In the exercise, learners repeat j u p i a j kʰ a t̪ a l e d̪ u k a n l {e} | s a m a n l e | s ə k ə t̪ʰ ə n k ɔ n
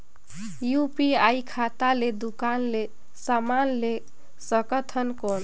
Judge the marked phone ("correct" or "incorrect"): correct